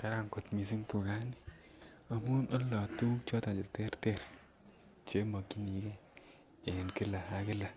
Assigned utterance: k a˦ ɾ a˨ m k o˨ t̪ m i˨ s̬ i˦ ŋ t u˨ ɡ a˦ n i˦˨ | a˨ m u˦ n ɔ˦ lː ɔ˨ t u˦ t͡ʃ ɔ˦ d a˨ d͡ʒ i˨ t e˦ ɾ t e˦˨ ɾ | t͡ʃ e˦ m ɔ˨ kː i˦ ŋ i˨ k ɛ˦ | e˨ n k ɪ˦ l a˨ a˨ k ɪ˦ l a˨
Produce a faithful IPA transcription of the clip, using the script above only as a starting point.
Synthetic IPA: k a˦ ɾ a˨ ŋ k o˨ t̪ m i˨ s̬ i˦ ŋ t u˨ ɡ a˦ n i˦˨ | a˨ m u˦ n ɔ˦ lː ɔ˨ t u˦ t͡ʃ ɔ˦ t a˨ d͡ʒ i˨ t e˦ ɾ t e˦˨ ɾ | t͡ʃ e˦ m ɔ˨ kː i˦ n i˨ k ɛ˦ | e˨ n k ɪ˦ l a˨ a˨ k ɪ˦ l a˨